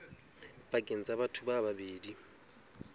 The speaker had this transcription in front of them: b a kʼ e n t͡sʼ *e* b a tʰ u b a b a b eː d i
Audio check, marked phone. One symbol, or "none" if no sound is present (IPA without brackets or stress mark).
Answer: a